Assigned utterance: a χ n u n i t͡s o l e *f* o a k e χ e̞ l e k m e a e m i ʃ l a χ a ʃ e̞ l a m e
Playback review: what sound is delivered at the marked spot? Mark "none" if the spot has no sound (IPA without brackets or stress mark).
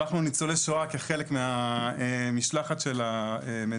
ʃ